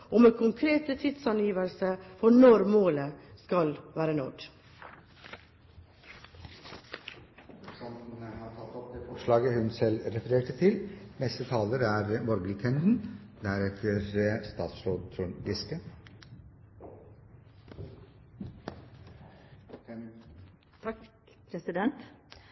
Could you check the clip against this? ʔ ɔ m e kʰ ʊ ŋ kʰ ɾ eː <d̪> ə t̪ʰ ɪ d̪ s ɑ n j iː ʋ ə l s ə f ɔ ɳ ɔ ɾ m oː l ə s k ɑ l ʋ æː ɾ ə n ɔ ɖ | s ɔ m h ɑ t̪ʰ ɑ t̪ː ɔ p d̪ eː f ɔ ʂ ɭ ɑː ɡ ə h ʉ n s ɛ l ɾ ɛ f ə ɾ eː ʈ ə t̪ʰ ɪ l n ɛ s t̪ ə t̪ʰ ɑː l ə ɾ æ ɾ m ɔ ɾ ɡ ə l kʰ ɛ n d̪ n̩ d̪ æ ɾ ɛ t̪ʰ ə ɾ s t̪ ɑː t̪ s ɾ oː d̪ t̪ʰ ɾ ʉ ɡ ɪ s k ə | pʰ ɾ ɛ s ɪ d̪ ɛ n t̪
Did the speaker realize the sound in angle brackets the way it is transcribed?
no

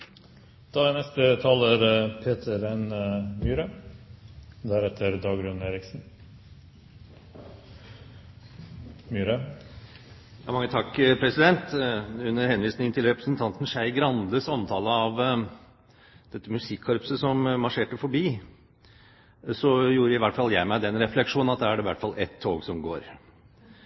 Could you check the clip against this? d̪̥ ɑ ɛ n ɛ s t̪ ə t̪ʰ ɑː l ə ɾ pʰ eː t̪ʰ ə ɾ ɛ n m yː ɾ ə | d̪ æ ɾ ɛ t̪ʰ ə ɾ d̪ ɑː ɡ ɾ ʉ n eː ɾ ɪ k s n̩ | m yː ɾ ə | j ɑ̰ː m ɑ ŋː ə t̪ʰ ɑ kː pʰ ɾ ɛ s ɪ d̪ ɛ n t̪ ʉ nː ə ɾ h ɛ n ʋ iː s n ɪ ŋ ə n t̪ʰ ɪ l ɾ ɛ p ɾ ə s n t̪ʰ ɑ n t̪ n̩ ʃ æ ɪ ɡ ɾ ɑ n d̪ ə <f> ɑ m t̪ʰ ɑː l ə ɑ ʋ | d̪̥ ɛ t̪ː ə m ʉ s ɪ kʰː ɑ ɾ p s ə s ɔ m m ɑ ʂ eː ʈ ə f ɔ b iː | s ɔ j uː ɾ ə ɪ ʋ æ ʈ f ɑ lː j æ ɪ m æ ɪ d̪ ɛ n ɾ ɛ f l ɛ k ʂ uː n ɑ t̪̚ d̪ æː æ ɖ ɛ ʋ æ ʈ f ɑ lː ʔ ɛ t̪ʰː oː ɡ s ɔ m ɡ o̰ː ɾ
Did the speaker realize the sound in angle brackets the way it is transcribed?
no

